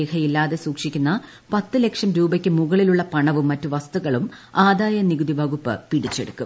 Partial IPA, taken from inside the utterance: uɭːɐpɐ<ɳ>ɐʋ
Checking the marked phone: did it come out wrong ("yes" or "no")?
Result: no